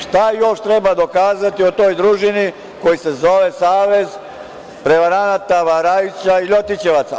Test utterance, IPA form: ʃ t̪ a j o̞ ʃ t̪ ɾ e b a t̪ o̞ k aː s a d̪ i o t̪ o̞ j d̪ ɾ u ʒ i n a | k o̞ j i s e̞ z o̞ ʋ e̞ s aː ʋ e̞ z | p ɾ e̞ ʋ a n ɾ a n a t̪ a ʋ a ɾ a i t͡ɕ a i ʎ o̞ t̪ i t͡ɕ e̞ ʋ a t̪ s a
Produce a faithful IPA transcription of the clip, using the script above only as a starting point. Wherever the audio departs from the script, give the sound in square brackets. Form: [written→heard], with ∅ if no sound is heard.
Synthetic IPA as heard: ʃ t̪ a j o̞ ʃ t̪ ɾ e b a [t̪→d̪] o̞ k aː [s→z] a [d̪→t̪] i o t̪ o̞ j d̪ ɾ u ʒ i n [a→i] | k o̞ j i s e̞ z o̞ ʋ e̞ s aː ʋ e̞ z | p ɾ e̞ ʋ a [n→∅] ɾ a n a t̪ a ʋ a ɾ a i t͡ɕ a i ʎ o̞ t̪ i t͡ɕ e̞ ʋ a t̪ s a